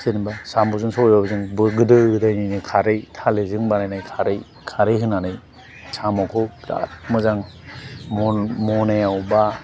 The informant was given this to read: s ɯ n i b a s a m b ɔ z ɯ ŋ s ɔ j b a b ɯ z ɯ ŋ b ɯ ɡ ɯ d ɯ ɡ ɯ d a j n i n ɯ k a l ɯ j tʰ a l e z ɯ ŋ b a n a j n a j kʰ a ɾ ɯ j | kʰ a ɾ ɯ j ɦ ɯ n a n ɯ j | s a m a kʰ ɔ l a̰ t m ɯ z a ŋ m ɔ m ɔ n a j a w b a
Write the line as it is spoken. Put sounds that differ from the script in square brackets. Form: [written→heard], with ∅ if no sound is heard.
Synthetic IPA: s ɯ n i b a s a m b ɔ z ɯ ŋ s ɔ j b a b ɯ z ɯ ŋ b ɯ ɡ ɯ d ɯ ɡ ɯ d a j n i n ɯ [k→kʰ] a [l→ɾ] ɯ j tʰ a l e z ɯ ŋ b a n a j n a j kʰ a ɾ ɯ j | kʰ a ɾ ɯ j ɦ ɯ n a n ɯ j | s a m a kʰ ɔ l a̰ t m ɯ z a ŋ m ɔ m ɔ n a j a w b a